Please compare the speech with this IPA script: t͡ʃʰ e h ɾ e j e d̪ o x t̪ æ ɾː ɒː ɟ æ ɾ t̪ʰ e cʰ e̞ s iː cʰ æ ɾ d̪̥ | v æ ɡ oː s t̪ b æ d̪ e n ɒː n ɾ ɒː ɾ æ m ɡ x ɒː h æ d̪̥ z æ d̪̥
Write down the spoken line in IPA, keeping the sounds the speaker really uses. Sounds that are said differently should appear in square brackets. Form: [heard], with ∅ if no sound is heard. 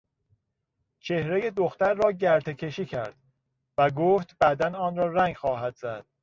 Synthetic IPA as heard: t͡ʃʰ e h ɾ e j e d̪ o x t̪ æ ɾː ɒː ɟ æ ɾ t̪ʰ e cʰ e̞ [ʃ] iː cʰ æ ɾ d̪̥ | v æ ɡ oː [f] t̪ b æ d̪ [æ] n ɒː n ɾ ɒː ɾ æ [ŋ] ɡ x ɒː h æ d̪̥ z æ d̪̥